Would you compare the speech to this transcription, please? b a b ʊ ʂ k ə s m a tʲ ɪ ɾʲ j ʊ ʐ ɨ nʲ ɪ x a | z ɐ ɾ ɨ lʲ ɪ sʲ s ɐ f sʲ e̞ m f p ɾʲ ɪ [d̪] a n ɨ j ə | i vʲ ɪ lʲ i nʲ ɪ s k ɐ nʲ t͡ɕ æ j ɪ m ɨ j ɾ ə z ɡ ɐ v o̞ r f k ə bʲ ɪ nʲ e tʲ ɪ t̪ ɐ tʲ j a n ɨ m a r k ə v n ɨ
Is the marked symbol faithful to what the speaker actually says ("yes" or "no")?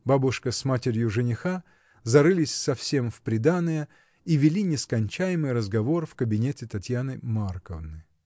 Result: yes